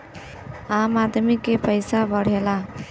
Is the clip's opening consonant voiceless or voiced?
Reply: voiced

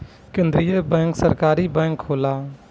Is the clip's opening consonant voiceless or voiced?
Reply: voiceless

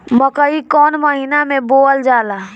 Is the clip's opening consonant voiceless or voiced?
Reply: voiced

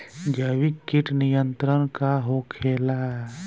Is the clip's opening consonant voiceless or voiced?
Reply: voiced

